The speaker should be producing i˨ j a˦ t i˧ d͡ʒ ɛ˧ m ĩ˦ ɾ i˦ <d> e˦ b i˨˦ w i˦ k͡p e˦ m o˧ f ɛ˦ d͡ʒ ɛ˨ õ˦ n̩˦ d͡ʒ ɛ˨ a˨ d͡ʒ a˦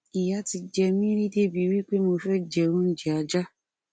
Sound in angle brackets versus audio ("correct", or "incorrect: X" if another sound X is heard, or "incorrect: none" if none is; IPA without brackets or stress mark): correct